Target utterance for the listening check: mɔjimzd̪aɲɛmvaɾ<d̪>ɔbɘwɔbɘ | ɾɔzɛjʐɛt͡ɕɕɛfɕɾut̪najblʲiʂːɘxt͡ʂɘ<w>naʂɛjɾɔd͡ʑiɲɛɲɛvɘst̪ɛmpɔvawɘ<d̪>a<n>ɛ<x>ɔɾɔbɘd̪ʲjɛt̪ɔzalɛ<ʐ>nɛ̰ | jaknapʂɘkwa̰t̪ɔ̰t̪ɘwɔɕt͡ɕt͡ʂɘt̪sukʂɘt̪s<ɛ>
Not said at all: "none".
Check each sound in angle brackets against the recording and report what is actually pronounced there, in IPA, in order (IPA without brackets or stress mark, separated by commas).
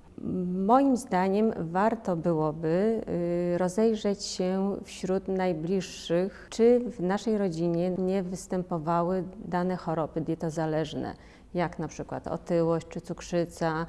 t̪, v, d̪, n, x, ʐ, a